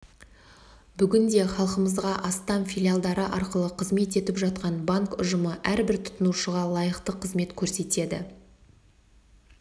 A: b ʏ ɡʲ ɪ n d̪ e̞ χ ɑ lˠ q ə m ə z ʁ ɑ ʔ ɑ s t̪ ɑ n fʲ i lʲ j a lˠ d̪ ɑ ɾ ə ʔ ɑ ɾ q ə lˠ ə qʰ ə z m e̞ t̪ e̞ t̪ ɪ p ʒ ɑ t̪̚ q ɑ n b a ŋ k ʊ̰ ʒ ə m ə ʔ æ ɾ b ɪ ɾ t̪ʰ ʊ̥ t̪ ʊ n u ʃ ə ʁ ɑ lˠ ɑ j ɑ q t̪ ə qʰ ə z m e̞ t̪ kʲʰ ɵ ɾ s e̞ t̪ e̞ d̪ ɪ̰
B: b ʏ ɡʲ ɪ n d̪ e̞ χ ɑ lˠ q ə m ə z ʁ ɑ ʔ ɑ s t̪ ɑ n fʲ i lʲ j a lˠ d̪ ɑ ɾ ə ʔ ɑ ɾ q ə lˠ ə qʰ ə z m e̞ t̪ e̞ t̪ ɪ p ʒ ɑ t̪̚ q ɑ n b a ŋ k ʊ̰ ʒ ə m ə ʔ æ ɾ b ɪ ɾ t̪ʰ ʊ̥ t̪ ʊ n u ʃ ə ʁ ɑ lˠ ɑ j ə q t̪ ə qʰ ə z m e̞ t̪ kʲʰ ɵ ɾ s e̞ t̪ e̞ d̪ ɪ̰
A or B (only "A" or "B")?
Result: B